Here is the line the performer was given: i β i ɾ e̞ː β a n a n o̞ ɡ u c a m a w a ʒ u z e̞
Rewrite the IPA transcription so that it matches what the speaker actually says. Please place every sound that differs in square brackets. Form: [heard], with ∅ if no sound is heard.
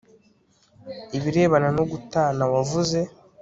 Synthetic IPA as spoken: i β i ɾ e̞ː β a n a n o̞ ɡ u [t] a [n] a w a [v] u z e̞